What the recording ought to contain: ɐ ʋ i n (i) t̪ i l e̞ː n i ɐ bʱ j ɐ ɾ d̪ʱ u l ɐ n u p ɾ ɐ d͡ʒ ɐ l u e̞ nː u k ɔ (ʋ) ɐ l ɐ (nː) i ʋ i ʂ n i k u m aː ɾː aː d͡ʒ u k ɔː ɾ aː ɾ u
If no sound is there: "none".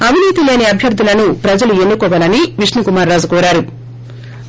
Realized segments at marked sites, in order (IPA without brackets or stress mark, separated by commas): iː, ʋ, n